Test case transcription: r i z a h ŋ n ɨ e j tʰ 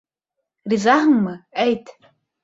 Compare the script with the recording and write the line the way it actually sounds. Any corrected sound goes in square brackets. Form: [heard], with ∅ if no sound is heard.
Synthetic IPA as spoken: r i z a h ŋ [m] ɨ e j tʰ